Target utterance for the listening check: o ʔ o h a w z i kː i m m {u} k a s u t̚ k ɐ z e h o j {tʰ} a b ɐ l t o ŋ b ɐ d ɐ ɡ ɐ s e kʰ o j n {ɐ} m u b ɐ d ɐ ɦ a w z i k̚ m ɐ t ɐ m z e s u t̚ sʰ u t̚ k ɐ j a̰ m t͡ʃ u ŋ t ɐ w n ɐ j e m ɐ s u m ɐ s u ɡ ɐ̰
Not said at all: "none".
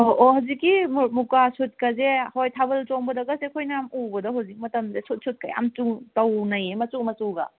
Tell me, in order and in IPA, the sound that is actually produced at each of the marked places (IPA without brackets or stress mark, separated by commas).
u, tʰ, a